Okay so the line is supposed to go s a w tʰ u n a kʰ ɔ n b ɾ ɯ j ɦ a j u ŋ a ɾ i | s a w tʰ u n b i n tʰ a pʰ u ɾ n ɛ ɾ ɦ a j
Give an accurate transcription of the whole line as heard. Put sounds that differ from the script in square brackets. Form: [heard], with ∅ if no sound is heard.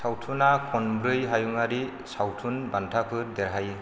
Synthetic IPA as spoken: s a w tʰ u n a kʰ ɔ n b ɾ ɯ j ɦ a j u ŋ a ɾ i | s a w tʰ u n b [a] n tʰ a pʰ [ɯ] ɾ [d] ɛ ɾ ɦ a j